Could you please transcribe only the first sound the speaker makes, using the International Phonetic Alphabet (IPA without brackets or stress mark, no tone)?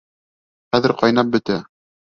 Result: χ